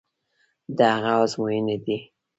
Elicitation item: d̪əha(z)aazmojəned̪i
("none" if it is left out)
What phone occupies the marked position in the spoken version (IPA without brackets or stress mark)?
ɣ